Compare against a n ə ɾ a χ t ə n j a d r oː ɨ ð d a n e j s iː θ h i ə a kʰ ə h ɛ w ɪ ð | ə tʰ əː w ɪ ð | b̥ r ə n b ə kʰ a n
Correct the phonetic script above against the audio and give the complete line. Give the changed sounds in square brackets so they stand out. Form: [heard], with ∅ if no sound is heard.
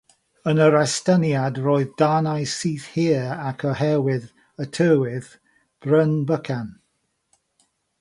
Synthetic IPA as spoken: [ə] n ə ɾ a [s] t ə n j a d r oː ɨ ð d a n [a] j s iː θ h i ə a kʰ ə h ɛ w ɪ ð | ə tʰ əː w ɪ ð | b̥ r ə n b ə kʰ a n

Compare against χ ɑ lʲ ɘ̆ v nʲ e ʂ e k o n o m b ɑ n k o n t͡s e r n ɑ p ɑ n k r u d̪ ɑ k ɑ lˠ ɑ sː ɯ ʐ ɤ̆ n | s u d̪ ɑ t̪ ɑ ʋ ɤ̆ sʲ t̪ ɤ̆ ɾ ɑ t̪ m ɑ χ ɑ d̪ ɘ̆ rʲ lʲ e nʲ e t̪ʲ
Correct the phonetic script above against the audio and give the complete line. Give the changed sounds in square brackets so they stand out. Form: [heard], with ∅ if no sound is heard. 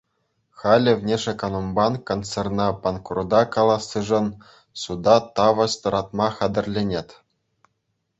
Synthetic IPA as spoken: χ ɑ lʲ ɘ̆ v nʲ e ʂ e k o n o m b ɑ n k o n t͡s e r n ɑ p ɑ n k r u d̪ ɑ k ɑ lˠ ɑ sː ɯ ʐ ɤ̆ n | s u d̪ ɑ t̪ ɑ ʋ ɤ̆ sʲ t̪ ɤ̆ ɾ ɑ t̪ m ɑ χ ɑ d̪ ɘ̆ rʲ lʲ e nʲ e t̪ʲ

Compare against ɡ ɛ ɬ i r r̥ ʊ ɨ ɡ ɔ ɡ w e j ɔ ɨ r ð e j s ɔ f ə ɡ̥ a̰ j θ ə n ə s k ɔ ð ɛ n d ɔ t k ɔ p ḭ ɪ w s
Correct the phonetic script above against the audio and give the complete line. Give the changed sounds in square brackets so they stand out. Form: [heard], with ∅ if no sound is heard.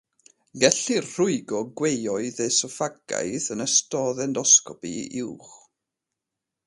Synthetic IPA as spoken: ɡ ɛ ɬ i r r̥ ʊ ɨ ɡ ɔ ɡ w e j ɔ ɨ [∅] ð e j s ɔ f [a] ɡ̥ a̰ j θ ə n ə s [t] ɔ ð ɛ n d ɔ [s] k ɔ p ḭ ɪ w [χ]

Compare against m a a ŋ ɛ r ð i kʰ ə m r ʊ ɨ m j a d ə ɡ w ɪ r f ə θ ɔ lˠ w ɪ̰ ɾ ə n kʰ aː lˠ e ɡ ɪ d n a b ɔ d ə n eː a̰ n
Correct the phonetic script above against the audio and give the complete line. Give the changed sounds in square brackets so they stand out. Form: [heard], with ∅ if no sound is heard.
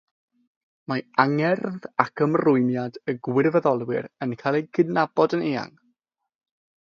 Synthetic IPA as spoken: m a a ŋ ɛ r ð [a] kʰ ə m r ʊ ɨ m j a d ə ɡ w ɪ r [v] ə [ð] ɔ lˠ w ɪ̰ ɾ ə n kʰ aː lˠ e ɡ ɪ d n a b ɔ d ə n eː a̰ [ŋ]

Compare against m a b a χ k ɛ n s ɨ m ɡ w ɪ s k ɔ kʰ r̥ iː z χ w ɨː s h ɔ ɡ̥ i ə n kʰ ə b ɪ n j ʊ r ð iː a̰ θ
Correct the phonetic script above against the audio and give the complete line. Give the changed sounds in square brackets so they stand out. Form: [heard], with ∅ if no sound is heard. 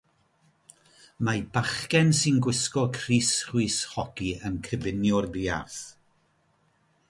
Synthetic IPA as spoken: m a b a χ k ɛ n s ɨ [n] ɡ w ɪ s k ɔ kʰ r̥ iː [s] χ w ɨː s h ɔ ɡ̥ i ə n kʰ ə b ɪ n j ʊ r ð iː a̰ θ

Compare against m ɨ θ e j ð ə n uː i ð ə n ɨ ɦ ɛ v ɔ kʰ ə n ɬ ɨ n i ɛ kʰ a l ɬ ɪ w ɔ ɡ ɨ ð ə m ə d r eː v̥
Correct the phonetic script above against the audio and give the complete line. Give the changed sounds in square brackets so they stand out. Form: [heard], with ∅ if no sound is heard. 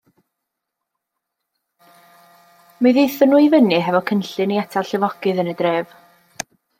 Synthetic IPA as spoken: m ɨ [ð] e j [θ] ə n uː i [v] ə n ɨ ɦ ɛ v ɔ kʰ ə n ɬ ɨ n i ɛ [tʰ] a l ɬ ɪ [v] ɔ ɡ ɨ ð ə [n] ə d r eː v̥

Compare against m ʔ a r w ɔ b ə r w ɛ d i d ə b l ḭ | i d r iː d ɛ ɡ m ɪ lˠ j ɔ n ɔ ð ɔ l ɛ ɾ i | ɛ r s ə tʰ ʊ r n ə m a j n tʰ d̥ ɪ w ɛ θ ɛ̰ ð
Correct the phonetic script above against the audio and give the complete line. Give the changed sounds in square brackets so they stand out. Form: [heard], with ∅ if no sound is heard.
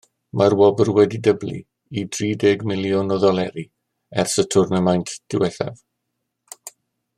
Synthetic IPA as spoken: m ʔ a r w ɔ b ə r w ɛ d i d ə b l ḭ | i d r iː d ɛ ɡ m ɪ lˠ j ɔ n ɔ ð ɔ l ɛ ɾ i | ɛ r s ə tʰ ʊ r n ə m a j n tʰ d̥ ɪ w ɛ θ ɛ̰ [v]

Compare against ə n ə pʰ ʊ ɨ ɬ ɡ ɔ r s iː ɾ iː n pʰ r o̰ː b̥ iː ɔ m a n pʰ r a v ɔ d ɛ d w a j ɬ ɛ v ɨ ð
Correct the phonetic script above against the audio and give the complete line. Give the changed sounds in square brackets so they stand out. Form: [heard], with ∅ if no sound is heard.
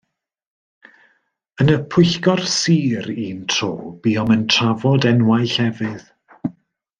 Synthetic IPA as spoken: ə n ə pʰ ʊ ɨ ɬ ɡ ɔ r s iː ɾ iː n [tʰ] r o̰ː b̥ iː ɔ m [ə] n [tʰ] r a v ɔ d ɛ [n] w a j ɬ ɛ v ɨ ð

